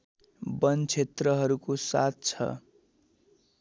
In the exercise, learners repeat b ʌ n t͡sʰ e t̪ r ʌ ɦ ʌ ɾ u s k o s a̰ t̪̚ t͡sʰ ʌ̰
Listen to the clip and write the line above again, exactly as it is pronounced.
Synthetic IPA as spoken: b ʌ n t͡sʰ e t̪ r ʌ ɦ ʌ ɾ u k o s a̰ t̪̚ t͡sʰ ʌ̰